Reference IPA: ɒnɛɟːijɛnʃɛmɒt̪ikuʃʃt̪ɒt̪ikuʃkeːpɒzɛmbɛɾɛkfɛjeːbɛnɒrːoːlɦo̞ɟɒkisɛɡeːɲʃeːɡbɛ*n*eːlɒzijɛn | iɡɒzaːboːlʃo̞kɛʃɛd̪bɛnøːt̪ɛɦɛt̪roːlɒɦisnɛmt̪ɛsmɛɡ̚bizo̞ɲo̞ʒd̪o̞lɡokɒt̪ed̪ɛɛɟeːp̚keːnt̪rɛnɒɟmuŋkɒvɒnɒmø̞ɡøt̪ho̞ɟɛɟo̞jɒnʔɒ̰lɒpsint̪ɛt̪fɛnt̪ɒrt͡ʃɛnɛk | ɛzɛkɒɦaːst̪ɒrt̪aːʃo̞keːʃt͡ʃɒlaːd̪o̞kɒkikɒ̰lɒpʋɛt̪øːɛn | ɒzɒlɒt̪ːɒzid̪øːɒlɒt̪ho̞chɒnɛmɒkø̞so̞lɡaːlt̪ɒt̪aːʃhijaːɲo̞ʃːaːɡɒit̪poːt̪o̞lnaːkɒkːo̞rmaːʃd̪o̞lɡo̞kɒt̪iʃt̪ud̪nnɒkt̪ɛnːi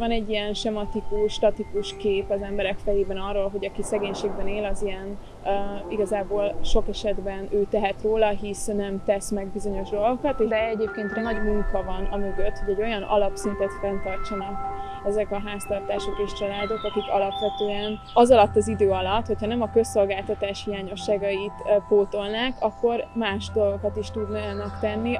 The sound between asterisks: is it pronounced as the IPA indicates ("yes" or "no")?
yes